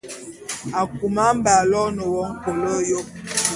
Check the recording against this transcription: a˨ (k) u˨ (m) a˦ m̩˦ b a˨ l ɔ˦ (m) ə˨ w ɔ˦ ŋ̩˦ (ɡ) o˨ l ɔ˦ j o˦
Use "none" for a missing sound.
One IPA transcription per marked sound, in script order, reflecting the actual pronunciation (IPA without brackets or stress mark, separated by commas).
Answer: k, m, n, k